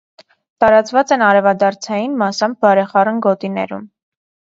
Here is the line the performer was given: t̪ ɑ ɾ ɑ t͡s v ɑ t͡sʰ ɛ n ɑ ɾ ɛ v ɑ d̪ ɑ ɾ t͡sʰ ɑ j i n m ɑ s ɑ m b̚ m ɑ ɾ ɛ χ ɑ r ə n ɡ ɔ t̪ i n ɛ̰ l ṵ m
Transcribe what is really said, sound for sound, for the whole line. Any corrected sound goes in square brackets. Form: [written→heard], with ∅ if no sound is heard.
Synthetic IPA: t̪ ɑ ɾ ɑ t͡s v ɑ [t͡sʰ→t͡s] ɛ n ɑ ɾ ɛ v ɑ d̪ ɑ ɾ t͡sʰ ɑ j i n m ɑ s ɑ m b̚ [m→b] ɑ ɾ ɛ χ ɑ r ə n ɡ ɔ t̪ i n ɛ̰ [l→ɾ] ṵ m

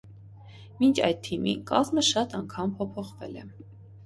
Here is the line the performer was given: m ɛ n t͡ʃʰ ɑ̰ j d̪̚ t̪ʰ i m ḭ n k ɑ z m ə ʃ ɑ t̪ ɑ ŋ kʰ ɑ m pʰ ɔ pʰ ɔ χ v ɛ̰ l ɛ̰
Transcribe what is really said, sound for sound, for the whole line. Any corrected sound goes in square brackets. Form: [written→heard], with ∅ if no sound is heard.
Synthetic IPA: m [ɛ→i] n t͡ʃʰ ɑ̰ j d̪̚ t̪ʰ i m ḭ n k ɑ z m ə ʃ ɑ t̪ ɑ ŋ kʰ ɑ m pʰ ɔ pʰ ɔ χ v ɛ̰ l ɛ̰

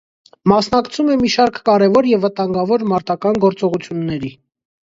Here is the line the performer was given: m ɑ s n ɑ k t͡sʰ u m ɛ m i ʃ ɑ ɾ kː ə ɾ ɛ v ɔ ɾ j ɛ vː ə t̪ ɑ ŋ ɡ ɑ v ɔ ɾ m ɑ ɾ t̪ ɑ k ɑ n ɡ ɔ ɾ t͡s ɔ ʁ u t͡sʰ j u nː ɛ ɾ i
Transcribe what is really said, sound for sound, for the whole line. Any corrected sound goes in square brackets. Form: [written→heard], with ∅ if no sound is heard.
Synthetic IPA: m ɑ s n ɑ k t͡sʰ u m ɛ m i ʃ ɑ ɾ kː [ə→ɑ] ɾ ɛ v ɔ ɾ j ɛ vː ə t̪ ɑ ŋ ɡ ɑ v ɔ ɾ m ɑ ɾ t̪ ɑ k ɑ n ɡ ɔ ɾ t͡s ɔ ʁ u t͡sʰ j u nː ɛ ɾ i

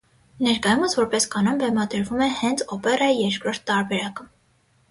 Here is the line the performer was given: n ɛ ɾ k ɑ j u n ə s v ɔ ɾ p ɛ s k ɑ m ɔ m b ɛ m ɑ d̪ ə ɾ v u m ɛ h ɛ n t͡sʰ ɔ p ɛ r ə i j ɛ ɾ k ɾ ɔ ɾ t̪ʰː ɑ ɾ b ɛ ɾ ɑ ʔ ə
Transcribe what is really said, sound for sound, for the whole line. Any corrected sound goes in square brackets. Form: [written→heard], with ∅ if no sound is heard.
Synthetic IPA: n ɛ ɾ k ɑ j u [n→m] ə s v ɔ ɾ p ɛ s k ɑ [m→n] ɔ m b ɛ m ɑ d̪ ə ɾ v u m ɛ h ɛ n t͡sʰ ɔ p ɛ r [ə→ɑ] i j ɛ ɾ k ɾ ɔ ɾ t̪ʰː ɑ ɾ b ɛ ɾ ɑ [ʔ→k] ə

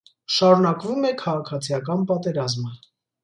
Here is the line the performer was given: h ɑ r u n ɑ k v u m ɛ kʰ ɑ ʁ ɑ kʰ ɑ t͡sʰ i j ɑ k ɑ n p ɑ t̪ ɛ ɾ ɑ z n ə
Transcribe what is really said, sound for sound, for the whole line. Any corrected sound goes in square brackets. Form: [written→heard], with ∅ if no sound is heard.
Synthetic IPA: [h→ʃ] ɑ [r→ɾ] u n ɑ k v u m ɛ kʰ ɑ ʁ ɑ kʰ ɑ t͡sʰ i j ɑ k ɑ n p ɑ t̪ ɛ ɾ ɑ z [n→m] ə

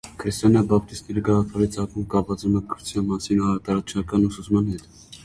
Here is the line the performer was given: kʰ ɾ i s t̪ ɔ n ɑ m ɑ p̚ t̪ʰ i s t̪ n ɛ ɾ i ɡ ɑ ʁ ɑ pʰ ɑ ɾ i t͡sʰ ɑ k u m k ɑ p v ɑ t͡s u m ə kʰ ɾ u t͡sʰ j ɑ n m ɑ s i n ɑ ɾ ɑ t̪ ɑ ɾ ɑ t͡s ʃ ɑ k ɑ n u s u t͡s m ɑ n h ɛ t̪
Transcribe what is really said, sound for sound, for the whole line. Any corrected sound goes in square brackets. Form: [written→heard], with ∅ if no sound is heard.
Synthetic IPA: kʰ ɾ i s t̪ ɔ n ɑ [m→b] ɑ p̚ [t̪ʰ→t̪] i s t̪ n ɛ ɾ i ɡ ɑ ʁ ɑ pʰ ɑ ɾ i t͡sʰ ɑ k u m k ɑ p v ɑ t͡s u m ə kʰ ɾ u t͡sʰ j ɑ n m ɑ s i n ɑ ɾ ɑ t̪ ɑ ɾ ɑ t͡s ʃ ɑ k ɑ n u s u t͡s m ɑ n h ɛ t̪

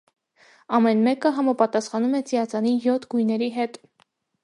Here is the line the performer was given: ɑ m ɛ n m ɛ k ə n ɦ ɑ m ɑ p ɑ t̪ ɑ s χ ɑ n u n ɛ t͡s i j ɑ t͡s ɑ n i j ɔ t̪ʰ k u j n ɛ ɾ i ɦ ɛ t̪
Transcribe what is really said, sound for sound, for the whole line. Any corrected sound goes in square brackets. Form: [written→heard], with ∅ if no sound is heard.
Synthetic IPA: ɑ m ɛ n m ɛ k ə [n→∅] ɦ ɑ m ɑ p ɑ t̪ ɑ s χ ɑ n u [n→m] ɛ t͡s i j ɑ t͡s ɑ n i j ɔ t̪ʰ [k→ɡ] u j n ɛ ɾ i ɦ ɛ t̪

